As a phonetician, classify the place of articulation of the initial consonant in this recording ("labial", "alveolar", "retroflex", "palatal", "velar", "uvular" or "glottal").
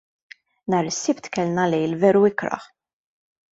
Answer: alveolar